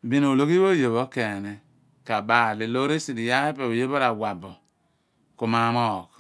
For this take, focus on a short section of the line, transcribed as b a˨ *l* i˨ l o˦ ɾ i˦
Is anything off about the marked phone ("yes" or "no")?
no